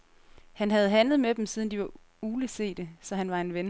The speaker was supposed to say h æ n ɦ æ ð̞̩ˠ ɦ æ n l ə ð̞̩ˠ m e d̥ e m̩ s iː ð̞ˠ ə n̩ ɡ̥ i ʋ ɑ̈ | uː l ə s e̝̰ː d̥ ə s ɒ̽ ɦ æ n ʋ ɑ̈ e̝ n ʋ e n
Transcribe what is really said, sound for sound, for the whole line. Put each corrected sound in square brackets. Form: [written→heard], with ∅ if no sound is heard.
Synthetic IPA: h æ n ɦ æ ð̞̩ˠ ɦ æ n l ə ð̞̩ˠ m e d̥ e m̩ s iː ð̞ˠ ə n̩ [ɡ̥→d̥] i ʋ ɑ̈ | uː l ə s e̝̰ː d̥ ə s ɒ̽ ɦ æ n ʋ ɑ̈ e̝ n ʋ e n